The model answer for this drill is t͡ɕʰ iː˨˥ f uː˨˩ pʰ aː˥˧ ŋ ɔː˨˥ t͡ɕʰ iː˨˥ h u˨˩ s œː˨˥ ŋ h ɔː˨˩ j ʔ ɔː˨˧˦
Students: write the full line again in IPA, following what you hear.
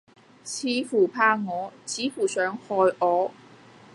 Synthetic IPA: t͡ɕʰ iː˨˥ f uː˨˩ pʰ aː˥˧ ŋ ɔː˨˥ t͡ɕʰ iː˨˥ f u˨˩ s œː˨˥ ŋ h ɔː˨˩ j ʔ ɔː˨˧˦